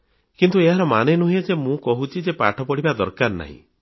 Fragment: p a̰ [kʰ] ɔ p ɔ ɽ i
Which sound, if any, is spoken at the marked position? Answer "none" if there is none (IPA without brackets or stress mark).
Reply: ʈʰ